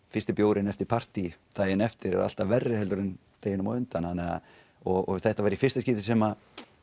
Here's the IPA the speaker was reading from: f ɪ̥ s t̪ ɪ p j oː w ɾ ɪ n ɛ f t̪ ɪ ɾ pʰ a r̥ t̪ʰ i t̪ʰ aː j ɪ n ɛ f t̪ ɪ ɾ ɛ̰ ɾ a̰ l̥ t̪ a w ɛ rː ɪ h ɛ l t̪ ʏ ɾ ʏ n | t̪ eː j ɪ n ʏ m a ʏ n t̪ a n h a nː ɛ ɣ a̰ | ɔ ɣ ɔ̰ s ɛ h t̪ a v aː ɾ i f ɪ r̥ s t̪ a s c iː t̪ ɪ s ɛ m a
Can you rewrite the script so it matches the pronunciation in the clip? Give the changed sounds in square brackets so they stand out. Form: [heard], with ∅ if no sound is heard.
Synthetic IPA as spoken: f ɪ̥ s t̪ ɪ p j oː w ɾ ɪ n ɛ f t̪ ɪ ɾ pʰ a r̥ [t̪] i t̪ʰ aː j ɪ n ɛ f t̪ ɪ ɾ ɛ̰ ɾ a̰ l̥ t̪ a [v] ɛ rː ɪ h ɛ l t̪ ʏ ɾ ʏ n | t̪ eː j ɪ n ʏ m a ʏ n t̪ a n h a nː ɛ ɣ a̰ | ɔ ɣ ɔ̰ [θ] ɛ h t̪ a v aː ɾ i f ɪ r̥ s t̪ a s c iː t̪ ɪ s ɛ m a

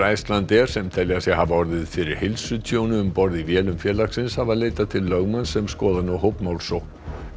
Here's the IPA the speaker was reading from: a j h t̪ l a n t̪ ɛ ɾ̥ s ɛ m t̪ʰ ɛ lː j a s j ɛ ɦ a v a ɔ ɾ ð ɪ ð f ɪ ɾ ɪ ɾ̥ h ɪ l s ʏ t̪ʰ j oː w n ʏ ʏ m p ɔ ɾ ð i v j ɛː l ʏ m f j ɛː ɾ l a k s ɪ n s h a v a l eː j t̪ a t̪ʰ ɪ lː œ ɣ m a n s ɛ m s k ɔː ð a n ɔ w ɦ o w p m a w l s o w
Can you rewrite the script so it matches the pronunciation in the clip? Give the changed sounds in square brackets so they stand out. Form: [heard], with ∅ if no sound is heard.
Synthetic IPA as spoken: a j [s] t̪ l a n t̪ ɛ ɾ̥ s ɛ m t̪ʰ ɛ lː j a s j ɛ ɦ a v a ɔ ɾ ð ɪ ð f ɪ ɾ ɪ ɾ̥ h ɪ l s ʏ t̪ʰ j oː w n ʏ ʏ m p ɔ ɾ ð i v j ɛː l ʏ m f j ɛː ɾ l a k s ɪ n s h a v a l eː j t̪ a t̪ʰ ɪ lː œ ɣ m a n s ɛ m s k ɔː ð a n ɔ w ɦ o w p m a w l s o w

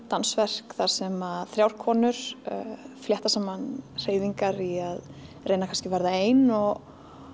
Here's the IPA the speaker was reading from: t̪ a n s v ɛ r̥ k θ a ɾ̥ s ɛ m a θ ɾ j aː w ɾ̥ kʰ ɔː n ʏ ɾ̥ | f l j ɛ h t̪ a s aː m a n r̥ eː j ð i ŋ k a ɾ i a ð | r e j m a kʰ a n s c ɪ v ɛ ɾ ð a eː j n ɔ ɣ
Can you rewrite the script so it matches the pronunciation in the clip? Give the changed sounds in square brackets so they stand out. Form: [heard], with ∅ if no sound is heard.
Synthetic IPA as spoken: t̪ a n s v ɛ r̥ k θ a ɾ̥ s ɛ m a θ ɾ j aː w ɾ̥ kʰ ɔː n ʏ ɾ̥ | f l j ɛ h t̪ a s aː m a n r̥ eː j ð i ŋ k a ɾ i a ð | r e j [n] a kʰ a n s c ɪ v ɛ ɾ ð a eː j n ɔ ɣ

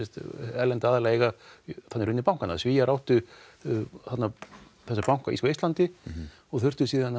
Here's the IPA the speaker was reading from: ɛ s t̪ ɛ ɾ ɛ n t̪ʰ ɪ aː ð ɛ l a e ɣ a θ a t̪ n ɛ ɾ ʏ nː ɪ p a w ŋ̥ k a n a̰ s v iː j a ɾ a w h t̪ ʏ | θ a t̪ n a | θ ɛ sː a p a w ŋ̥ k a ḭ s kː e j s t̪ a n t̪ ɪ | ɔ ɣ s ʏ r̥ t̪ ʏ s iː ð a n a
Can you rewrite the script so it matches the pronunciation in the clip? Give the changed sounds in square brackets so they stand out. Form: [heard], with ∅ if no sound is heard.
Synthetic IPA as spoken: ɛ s t̪ ɛ [l] ɛ n [t̪] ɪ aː ð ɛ l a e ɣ a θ a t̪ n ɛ ɾ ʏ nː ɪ p a w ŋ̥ k a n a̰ s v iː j a ɾ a w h t̪ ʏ | θ a t̪ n a | θ ɛ sː a p a w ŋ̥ k a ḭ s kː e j s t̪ a n t̪ ɪ | ɔ ɣ [θ] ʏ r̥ t̪ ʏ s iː ð a n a

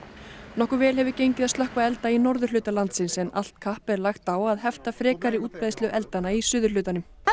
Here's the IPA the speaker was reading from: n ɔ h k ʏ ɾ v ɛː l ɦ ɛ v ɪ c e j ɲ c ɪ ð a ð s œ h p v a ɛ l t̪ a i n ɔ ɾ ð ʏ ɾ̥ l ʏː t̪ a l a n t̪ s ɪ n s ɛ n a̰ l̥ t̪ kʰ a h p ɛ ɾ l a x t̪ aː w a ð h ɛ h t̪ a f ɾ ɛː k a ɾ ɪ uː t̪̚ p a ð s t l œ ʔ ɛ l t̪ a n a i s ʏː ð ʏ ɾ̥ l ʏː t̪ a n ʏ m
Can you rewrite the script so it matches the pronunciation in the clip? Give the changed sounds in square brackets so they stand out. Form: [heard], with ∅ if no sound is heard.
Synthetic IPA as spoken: n ɔ h k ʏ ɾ v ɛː l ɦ ɛ v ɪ c e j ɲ c ɪ ð a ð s œ h [k] v a ɛ l t̪ a i n ɔ ɾ ð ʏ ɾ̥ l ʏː t̪ a l a n t̪ s ɪ n s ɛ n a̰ l̥ t̪ kʰ a h p ɛ ɾ l a x t̪ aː w a ð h ɛ [f] t̪ a f ɾ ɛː k a ɾ ɪ uː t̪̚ p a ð s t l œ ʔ ɛ l t̪ a n a i s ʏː ð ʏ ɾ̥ l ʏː t̪ a n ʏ m

